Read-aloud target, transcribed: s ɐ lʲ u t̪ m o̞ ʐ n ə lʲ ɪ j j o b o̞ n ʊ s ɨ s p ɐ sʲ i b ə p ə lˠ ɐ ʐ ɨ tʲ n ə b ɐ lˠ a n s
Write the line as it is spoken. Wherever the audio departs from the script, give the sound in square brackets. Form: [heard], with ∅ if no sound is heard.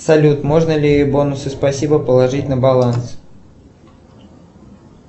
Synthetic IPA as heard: s ɐ lʲ u t̪ m o̞ ʐ n ə lʲ ɪ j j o b o̞ n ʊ s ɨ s p ɐ sʲ i b ə p ə lˠ ɐ ʐ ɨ tʲ n ə b ɐ lˠ a n s